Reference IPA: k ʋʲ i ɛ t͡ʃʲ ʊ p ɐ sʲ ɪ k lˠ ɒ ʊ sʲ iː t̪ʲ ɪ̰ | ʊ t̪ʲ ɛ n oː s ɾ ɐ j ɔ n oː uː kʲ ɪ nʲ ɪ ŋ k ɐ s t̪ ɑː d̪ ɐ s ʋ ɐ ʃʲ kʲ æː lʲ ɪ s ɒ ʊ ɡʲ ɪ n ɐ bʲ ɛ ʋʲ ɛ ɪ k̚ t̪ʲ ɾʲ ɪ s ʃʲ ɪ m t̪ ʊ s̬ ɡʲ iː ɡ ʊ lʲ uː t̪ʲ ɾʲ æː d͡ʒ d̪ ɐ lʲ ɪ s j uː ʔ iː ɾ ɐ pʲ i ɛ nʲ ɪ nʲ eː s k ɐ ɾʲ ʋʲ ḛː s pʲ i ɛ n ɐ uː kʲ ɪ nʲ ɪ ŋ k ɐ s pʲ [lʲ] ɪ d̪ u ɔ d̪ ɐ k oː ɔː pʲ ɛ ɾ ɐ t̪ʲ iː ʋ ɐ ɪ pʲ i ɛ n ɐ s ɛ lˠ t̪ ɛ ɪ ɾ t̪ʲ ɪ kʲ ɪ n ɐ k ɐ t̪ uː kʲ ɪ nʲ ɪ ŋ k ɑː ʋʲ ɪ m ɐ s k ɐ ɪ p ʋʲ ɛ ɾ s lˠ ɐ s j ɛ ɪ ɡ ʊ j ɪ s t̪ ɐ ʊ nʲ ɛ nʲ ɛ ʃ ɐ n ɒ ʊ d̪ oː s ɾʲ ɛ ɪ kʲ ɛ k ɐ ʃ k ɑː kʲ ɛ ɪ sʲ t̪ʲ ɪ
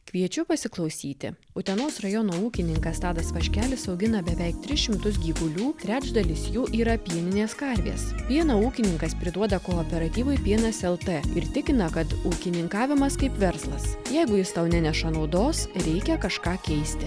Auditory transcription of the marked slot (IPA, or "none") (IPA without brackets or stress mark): ɾʲ